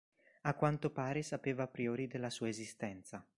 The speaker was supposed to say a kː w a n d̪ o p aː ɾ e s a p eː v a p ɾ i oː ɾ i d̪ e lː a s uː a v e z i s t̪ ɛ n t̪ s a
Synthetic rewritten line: a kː w a n t̪ o p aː ɾ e s a p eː v a p ɾ i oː ɾ i d̪ e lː a s uː a e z i s t̪ ɛ n t̪ s a